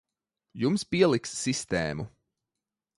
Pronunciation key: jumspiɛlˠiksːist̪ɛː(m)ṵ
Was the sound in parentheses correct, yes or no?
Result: yes